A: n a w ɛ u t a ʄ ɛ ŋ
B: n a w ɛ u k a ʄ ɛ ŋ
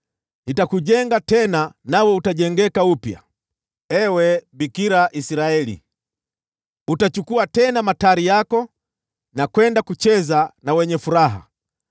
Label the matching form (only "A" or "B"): A